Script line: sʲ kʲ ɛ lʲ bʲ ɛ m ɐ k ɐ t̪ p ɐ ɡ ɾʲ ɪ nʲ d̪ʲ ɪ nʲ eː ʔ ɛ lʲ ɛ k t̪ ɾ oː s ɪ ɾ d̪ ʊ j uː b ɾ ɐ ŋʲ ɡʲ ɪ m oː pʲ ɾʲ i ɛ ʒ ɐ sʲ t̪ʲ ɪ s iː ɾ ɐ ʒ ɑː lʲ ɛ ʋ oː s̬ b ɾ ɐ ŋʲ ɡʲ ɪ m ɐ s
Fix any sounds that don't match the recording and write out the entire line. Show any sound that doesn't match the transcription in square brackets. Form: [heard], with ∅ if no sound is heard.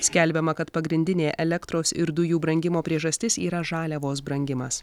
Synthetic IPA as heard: sʲ kʲ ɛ lʲ bʲ ɛ m ɐ k ɐ t̪ p ɐ ɡ ɾʲ ɪ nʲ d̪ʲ ɪ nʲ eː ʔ ɛ lʲ ɛ k t̪ ɾ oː s ɪ ɾ d̪ ʊ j uː b ɾ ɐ ŋʲ ɡʲ ɪ m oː pʲ ɾʲ i ɛ ʒ ɐ sʲ t̪ʲ ɪ s iː ɾ ɐ ʒ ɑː lʲ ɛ ʋ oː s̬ b ɾ ɐ ŋʲ ɡʲ ɪ m ɐ s